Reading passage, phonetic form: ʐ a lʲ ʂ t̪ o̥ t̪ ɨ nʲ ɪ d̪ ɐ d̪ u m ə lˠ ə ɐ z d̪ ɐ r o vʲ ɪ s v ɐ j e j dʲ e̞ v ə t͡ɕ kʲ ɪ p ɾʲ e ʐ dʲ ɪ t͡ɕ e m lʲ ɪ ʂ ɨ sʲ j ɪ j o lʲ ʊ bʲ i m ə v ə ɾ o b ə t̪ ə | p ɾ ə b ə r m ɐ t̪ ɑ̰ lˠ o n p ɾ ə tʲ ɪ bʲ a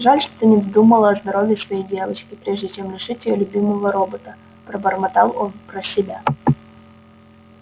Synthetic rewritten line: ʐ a lʲ ʂ t̪ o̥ t̪ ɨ nʲ ɪ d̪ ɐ d̪ u m ə lˠ ə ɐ z d̪ ɐ ɾ o vʲ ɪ s v ɐ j e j dʲ e̞ v ə t͡ɕ kʲ ɪ p ɾʲ e ʐ dʲ ɪ t͡ɕ e m lʲ ɪ ʂ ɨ tʲ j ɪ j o lʲ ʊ bʲ i m ə v ə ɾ o b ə t̪ ə | p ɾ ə b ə r m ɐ t̪ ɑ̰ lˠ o n p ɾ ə sʲ ɪ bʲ a